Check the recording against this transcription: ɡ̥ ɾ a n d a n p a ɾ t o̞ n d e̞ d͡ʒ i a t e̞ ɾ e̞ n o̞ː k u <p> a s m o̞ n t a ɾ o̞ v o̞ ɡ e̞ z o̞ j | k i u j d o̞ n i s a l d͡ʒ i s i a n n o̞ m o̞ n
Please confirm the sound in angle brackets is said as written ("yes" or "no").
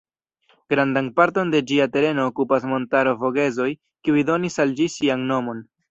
yes